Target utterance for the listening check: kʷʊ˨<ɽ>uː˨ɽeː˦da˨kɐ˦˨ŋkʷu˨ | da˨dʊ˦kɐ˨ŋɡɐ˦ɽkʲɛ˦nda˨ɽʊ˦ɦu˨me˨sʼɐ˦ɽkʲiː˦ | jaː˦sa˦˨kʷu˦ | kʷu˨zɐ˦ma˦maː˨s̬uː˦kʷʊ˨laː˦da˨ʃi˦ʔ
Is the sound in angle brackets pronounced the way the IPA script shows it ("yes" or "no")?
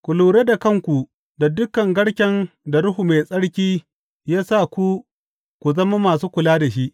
no